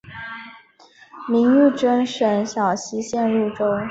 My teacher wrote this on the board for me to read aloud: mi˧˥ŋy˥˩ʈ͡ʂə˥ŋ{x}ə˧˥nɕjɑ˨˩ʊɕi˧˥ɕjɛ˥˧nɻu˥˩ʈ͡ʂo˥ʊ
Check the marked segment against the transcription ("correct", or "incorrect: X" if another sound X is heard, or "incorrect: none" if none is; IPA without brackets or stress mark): incorrect: ʂ